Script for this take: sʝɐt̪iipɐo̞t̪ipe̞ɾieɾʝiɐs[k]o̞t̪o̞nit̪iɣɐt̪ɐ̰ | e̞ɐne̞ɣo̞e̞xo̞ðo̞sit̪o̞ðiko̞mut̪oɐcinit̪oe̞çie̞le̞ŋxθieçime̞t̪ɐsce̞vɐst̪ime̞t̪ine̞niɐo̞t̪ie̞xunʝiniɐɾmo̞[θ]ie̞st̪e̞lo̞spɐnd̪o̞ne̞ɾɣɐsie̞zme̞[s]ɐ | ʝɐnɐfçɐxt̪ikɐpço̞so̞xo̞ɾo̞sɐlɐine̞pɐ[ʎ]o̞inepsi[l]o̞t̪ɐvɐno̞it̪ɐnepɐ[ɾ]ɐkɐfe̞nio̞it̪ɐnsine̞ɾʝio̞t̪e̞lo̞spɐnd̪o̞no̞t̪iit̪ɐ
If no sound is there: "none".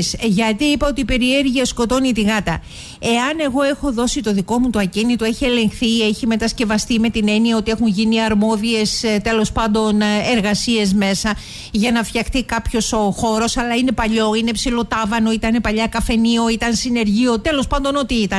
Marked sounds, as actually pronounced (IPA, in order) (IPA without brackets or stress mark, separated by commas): k, ð, s, ʎ, l, ʎ